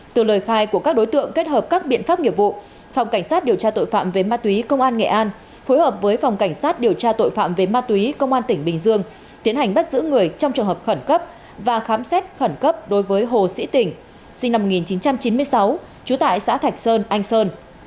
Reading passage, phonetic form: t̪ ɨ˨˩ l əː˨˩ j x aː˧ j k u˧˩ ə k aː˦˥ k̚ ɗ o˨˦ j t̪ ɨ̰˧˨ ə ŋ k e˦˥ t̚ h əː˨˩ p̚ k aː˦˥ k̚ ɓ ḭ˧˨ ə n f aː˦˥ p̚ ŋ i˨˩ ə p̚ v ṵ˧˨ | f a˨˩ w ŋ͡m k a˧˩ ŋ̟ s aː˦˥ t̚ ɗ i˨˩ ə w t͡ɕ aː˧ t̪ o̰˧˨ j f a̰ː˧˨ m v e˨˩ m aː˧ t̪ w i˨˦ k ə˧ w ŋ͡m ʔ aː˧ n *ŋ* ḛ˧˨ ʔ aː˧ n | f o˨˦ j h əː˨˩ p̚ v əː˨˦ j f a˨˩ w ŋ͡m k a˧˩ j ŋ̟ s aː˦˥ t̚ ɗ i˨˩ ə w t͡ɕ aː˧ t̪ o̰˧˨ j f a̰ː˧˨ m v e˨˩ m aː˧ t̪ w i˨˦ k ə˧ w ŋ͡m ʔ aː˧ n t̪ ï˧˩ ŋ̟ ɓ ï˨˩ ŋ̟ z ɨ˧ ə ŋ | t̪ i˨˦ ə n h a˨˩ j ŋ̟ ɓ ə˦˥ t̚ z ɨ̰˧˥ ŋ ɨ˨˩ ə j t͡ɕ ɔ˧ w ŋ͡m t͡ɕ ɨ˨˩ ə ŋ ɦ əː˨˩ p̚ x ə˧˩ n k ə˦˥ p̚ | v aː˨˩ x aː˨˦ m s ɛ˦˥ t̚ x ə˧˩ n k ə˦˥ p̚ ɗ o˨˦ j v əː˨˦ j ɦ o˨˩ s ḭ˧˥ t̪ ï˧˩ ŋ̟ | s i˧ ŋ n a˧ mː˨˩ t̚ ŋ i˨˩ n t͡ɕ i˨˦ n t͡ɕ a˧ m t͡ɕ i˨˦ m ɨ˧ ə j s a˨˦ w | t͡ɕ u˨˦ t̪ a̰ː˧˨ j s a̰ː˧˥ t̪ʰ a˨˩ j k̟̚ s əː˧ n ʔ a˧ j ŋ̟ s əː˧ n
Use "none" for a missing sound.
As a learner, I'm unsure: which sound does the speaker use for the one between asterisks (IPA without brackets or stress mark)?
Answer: ŋ